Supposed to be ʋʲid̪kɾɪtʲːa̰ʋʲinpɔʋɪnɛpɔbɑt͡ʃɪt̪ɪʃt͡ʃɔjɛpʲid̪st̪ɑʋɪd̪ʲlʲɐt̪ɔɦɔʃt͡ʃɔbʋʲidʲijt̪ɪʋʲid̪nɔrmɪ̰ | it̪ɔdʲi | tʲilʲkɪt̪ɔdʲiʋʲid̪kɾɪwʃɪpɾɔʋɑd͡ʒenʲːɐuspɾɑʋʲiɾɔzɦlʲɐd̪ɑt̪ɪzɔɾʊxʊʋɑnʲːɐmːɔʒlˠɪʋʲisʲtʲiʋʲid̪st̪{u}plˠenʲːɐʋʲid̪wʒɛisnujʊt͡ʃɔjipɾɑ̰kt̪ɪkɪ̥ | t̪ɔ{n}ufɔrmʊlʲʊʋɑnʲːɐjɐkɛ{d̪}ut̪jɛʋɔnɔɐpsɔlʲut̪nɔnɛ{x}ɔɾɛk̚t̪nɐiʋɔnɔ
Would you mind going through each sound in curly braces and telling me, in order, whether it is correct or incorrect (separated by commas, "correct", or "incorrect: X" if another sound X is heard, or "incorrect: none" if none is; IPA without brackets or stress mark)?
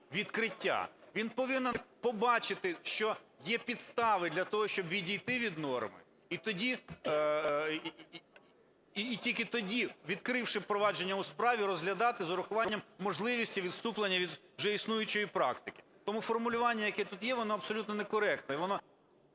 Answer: correct, incorrect: m, incorrect: t̪, incorrect: k